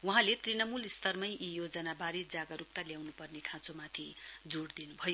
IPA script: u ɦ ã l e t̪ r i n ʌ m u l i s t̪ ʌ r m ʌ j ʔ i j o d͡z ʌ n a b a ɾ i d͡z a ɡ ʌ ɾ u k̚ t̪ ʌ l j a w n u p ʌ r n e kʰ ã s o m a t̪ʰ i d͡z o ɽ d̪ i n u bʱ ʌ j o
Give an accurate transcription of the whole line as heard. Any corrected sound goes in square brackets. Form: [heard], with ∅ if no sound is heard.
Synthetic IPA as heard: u ɦ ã l e t̪ r i n ʌ m u l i s t̪ ʌ r m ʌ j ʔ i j o d͡z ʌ n a b a ɾ i d͡z a ɡ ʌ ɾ u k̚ t̪ [a] l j a w n u p ʌ r n e kʰ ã [t͡s] o m a t̪ʰ i d͡z o ɽ d̪ i n u bʱ ʌ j o